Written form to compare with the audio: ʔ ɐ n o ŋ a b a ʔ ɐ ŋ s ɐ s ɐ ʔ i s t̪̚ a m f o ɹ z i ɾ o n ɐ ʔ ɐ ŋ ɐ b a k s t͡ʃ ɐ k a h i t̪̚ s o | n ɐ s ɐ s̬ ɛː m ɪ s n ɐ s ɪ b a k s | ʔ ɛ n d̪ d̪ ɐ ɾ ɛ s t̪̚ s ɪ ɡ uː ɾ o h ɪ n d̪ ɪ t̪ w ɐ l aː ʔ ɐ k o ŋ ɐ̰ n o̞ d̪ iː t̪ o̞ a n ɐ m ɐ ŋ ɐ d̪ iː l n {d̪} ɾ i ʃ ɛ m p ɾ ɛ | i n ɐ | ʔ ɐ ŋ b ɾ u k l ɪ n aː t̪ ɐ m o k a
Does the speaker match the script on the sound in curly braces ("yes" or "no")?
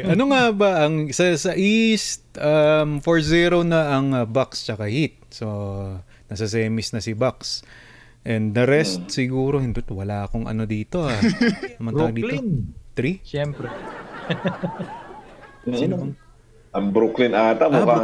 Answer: no